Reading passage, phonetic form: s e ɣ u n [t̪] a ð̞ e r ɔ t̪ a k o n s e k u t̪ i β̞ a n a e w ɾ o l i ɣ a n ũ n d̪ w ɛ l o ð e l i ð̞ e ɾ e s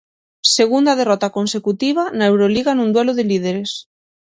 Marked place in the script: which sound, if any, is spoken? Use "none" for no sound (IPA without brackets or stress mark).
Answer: d̪